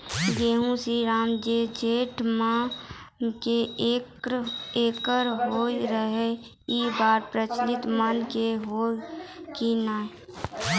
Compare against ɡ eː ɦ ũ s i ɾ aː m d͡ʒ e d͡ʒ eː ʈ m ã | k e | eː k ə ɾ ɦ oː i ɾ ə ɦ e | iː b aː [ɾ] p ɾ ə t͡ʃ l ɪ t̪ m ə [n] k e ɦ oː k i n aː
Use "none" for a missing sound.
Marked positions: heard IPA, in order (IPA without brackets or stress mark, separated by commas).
ɾ, n